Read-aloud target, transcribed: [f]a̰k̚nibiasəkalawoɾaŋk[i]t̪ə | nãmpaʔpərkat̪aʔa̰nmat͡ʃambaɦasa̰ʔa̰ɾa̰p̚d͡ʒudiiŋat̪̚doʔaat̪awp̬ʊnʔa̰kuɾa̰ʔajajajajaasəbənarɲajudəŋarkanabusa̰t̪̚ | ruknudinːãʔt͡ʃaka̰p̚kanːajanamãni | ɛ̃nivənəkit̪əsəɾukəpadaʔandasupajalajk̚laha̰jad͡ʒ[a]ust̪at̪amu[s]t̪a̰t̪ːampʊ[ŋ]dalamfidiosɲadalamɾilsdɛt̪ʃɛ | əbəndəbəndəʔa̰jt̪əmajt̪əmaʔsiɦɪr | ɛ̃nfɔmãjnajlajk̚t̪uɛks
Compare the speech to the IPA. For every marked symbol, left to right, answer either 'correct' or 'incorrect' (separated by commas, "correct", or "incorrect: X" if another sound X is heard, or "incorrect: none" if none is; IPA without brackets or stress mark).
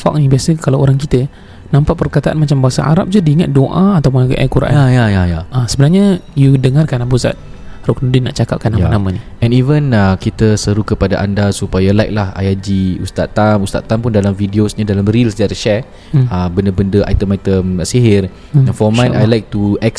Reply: correct, correct, incorrect: i, correct, incorrect: n